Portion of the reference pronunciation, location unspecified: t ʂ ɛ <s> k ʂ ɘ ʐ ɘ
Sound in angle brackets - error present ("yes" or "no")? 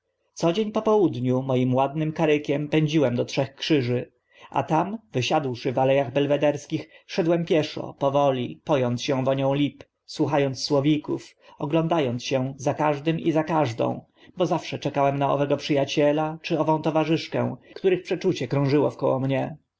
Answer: yes